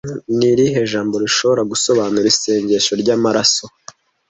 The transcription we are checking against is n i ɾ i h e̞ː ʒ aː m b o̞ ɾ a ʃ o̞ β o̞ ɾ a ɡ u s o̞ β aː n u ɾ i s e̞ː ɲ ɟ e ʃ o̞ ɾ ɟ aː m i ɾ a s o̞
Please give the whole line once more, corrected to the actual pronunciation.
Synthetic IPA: n i ɾ i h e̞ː ʒ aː m b o̞ ɾ i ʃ o̞ β o̞ ɾ a ɡ u s o̞ β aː n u ɾ i s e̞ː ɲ ɟ e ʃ o̞ ɾ ɟ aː m a ɾ a s o̞